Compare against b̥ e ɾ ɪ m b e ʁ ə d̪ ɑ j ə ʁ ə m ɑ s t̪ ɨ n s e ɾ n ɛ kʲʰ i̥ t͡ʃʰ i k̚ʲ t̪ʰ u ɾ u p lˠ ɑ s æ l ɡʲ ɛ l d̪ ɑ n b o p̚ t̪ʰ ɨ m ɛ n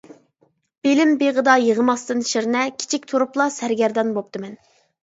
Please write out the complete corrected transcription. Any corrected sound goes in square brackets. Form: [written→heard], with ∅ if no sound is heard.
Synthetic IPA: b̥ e [ɾ→l] ɪ m b e ʁ ə d̪ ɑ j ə ʁ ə m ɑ s t̪ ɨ n [s→ʃ] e ɾ n ɛ kʲʰ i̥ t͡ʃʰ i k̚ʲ t̪ʰ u ɾ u p lˠ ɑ s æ [l→ɾ] ɡʲ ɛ [l→ɾ] d̪ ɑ n b o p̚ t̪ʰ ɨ m ɛ n